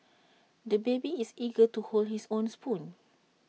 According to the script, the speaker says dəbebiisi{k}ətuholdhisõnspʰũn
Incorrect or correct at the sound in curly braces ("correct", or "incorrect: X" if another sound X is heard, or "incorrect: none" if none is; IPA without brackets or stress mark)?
incorrect: ɡ